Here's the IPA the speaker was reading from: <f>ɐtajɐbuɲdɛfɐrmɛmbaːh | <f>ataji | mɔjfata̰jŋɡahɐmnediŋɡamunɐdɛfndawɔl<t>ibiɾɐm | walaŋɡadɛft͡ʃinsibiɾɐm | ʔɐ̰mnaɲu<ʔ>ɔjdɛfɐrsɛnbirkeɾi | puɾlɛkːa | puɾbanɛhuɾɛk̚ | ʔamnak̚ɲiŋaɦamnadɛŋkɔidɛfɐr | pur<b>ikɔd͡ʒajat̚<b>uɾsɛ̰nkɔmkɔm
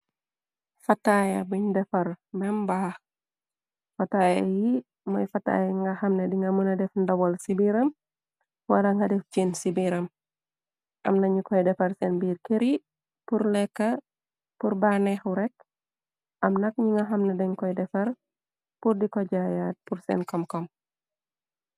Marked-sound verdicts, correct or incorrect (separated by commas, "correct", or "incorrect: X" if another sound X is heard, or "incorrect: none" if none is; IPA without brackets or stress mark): correct, correct, incorrect: s, incorrect: k, incorrect: d, incorrect: p